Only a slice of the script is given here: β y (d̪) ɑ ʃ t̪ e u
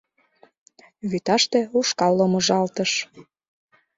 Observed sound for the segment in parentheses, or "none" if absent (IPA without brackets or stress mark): t̪